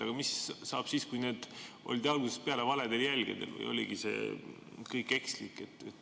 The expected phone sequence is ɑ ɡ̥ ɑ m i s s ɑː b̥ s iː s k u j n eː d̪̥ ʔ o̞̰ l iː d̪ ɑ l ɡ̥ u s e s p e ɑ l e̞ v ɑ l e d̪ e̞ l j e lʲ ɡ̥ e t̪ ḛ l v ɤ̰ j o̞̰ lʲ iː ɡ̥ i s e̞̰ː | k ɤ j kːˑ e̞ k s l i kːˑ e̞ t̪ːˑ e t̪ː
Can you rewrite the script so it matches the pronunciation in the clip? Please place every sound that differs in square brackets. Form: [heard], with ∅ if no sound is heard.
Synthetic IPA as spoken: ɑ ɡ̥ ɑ m i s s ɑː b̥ s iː s k u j n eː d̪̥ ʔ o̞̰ l [i] d̪ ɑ l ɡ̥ u s e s p e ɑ l e̞ v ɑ l e d̪ e̞ l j [æ] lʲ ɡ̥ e [d̪] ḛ l v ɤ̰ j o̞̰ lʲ [i] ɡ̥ i s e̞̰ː | k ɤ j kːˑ e̞ k s l i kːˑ e̞ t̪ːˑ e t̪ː